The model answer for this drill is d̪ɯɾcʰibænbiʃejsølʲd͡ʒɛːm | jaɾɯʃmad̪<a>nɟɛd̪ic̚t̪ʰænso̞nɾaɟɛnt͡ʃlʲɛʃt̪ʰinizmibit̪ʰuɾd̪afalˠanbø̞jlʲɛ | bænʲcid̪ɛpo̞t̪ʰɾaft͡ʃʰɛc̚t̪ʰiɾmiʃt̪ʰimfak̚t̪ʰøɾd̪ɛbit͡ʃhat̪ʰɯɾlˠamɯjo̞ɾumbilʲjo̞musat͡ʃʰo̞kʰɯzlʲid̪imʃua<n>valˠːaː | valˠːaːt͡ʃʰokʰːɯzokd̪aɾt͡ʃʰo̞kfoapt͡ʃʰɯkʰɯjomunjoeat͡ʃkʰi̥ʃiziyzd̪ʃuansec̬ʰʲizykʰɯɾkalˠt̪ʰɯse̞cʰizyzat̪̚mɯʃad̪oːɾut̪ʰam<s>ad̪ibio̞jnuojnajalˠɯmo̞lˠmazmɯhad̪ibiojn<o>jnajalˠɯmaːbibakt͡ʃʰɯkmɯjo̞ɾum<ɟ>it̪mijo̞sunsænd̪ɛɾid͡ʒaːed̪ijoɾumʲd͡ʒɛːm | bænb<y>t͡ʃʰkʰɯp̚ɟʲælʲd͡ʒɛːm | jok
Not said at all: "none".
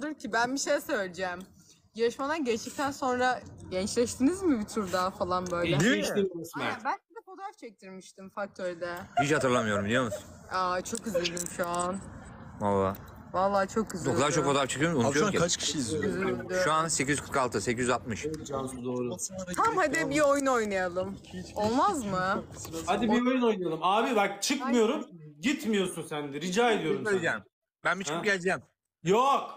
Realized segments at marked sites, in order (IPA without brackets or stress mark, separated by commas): a, n, h, o, ɟ, i